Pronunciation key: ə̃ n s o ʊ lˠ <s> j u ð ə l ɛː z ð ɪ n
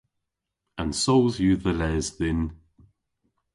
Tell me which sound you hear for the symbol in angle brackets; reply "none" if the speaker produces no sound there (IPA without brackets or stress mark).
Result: z